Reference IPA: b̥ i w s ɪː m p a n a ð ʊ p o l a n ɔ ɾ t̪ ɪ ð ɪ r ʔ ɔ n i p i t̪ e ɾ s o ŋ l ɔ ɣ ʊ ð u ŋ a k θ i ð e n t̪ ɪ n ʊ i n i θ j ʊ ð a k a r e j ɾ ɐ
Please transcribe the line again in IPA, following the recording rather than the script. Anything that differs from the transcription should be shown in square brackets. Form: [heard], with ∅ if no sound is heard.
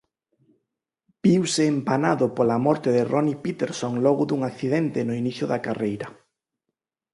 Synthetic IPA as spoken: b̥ i w s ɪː m p a n a ð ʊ p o l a [m] ɔ ɾ t̪ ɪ ð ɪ r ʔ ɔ n i p i t̪ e ɾ s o ŋ l ɔ ɣ ʊ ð u ŋ a k θ i ð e n t̪ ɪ n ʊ i n i θ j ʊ ð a k a r e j ɾ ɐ